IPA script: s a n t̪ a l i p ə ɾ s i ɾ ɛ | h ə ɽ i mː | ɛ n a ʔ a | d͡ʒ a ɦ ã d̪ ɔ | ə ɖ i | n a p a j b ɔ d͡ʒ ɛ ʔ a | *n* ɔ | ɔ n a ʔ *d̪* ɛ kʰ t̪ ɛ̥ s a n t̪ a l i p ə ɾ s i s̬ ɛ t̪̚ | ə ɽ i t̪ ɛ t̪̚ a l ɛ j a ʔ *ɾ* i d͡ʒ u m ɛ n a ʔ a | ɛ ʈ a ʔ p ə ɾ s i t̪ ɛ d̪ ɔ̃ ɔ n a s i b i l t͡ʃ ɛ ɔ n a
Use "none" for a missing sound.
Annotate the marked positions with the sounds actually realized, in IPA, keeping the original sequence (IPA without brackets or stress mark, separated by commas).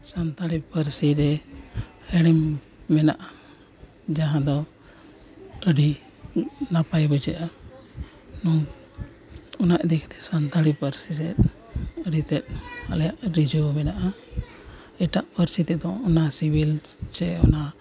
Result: n, d̪, ɾ